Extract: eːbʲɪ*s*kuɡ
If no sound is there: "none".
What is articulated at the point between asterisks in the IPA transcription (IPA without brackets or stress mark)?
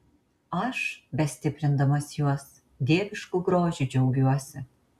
ʃ